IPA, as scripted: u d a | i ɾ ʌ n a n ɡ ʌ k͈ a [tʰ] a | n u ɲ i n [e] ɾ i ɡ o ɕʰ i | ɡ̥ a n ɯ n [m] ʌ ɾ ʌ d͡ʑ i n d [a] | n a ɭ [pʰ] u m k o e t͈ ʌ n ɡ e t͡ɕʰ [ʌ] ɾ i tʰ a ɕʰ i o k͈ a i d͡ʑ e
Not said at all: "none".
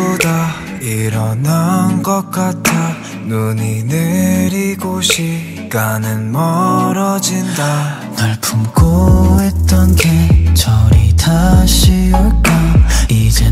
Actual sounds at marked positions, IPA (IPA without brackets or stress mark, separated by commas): tʰ, e, m, a, pʰ, ʌ